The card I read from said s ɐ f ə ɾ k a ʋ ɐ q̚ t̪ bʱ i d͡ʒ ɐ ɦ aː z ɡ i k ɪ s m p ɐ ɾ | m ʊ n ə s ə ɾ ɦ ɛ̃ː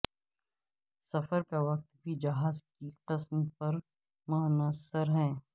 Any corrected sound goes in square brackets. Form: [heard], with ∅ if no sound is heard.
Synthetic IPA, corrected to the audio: s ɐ f ə ɾ k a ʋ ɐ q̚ t̪ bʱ i d͡ʒ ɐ ɦ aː z [k] i [q] ɪ s m p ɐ ɾ | m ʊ n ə s ə ɾ ɦ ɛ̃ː